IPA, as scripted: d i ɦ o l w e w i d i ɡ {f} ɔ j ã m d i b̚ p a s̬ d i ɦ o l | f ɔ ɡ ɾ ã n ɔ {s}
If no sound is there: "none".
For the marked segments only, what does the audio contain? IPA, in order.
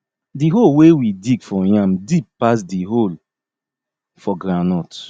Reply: f, t

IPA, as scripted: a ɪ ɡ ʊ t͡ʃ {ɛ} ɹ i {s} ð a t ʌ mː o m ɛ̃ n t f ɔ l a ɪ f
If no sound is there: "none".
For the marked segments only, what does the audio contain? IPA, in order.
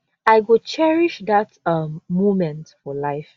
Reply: ɛ, ʃ

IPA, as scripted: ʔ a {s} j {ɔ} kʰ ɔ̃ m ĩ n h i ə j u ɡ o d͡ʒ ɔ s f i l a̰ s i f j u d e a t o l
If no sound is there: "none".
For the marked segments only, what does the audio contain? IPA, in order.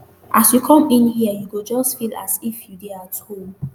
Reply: s, u

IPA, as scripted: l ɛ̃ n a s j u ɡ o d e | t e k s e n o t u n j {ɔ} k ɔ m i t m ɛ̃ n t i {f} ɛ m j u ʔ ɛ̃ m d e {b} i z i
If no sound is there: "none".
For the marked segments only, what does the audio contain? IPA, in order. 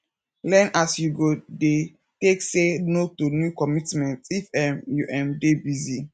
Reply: u, f, b

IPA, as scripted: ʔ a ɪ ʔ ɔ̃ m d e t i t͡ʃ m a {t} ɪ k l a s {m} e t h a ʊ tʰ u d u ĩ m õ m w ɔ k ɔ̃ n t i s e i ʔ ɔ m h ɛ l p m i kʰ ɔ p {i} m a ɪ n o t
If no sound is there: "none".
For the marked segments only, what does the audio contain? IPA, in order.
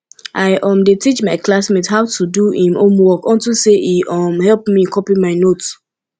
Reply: none, m, i

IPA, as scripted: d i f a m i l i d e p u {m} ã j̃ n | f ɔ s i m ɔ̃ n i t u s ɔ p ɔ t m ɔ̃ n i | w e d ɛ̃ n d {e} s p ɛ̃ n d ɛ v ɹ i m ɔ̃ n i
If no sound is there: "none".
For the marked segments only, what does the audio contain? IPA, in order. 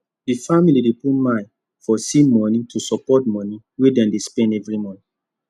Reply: m, e

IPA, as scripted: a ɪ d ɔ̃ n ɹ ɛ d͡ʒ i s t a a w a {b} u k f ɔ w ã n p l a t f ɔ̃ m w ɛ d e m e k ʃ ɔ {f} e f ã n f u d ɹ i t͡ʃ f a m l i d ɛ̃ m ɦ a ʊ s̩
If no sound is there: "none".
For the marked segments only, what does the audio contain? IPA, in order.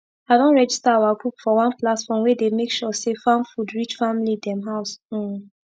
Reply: ɡ, s

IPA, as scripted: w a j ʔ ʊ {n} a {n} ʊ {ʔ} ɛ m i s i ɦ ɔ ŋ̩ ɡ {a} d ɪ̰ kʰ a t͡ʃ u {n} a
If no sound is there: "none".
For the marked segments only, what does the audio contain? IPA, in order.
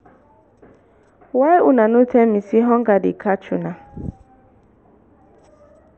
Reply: n, n, t, a, n

